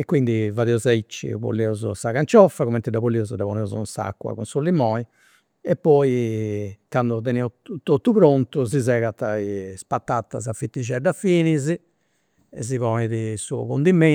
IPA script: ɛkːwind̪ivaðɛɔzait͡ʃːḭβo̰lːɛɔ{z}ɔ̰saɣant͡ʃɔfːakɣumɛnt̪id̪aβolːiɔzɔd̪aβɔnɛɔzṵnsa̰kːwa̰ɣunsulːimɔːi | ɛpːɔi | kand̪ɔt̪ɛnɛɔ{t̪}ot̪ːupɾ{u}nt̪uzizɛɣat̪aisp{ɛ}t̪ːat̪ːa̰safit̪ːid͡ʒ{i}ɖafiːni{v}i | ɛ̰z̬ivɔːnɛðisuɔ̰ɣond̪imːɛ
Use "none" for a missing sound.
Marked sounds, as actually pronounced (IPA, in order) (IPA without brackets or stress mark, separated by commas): z, t̪, o, a, ɛ, z